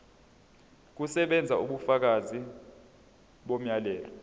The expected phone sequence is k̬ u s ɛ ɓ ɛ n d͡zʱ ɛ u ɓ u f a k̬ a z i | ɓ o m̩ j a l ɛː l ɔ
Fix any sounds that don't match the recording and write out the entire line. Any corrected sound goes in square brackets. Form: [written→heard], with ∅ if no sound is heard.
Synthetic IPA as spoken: k̬ u s ɛ ɓ ɛ n d͡zʱ [ɛ→a] u ɓ u f a k̬ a z i | ɓ o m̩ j a l ɛː l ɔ